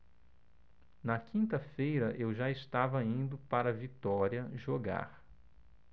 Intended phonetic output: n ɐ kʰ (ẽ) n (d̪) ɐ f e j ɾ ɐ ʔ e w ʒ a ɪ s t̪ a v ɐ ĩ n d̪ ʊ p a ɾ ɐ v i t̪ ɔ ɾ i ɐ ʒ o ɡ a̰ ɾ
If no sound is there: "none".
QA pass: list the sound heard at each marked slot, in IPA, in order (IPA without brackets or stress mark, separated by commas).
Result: ĩ, t̪